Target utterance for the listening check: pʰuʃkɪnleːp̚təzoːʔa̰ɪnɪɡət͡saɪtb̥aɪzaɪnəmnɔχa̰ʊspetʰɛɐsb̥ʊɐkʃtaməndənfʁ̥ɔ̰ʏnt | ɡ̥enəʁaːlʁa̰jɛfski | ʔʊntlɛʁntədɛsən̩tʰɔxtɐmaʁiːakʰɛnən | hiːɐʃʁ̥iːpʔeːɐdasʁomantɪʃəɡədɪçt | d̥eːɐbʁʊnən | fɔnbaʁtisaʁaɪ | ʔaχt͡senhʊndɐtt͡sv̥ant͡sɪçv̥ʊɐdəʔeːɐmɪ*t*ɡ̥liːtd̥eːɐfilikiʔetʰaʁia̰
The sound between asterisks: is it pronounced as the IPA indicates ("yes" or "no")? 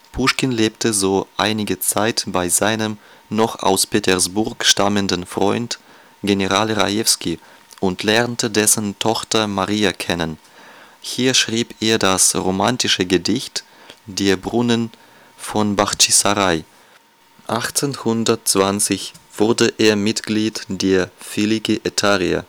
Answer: yes